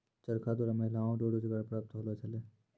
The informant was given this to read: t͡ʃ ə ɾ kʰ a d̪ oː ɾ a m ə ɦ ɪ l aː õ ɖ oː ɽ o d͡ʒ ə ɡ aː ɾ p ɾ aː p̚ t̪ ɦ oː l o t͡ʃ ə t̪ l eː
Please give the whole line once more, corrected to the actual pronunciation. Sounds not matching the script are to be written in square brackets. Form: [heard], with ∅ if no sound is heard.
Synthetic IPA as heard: t͡ʃ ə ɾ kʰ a d̪ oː ɾ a m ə ɦ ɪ l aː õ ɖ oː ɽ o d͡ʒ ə ɡ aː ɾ p ɾ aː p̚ t̪ ɦ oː l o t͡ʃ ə [∅] l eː